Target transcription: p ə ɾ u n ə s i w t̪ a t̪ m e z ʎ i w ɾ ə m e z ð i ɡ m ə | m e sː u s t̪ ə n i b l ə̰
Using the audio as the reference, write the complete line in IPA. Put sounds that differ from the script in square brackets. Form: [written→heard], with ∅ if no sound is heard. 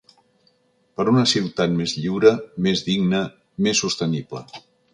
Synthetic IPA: p ə ɾ u n ə s i w t̪ a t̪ m e z ʎ i w ɾ ə m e z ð i ɡ [m→n] ə | m e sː u s t̪ ə n i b l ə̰